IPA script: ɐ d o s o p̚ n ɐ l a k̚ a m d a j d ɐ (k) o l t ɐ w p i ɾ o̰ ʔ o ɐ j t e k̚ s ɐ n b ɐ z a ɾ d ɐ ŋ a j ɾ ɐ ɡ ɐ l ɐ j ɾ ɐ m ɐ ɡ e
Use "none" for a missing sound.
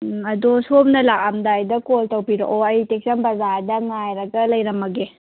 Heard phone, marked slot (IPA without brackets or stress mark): k